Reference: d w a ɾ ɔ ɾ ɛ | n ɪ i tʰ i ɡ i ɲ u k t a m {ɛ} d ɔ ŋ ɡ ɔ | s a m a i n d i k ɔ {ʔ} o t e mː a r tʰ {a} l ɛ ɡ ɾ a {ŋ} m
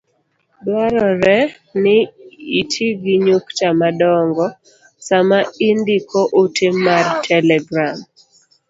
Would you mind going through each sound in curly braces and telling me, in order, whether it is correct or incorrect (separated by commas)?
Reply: incorrect, correct, incorrect, incorrect